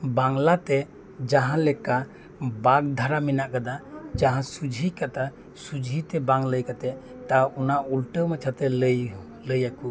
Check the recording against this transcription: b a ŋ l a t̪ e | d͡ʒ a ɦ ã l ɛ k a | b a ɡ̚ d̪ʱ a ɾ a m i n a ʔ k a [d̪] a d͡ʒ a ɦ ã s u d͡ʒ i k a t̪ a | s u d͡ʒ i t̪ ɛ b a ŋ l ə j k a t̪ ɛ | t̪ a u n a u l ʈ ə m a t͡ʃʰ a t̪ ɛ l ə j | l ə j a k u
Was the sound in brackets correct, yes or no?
yes